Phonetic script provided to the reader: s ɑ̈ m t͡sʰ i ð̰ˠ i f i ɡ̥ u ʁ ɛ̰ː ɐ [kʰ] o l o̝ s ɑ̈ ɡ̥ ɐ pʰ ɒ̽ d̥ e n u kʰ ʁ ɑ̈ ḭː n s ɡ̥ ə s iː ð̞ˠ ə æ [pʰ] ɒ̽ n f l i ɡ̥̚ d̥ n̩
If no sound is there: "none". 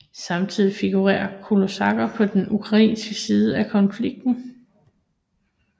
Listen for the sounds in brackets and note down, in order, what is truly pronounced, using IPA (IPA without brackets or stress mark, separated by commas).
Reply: kʰ, kʰ